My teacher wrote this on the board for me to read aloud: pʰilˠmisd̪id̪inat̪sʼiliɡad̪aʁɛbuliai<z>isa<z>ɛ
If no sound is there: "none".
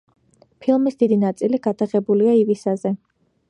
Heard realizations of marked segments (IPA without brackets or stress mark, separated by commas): v, z